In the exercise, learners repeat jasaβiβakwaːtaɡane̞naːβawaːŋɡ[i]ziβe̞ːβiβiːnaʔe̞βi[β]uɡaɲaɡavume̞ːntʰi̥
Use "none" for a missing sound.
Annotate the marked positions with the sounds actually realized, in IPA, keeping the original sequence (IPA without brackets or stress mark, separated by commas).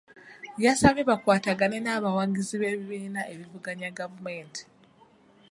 i, v